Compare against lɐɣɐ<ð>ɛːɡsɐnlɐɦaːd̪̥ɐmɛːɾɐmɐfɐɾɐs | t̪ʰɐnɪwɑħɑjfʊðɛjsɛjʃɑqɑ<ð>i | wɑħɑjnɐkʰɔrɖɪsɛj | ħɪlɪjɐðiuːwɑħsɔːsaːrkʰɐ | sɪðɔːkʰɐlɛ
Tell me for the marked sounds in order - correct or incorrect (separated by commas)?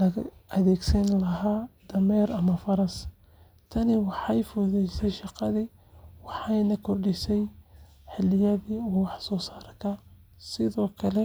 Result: correct, correct